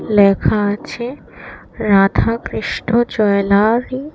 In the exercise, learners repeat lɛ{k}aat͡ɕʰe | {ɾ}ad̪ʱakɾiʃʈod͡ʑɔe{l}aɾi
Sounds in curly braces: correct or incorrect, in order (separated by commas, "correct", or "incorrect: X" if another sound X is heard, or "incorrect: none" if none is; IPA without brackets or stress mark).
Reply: incorrect: kʰ, correct, correct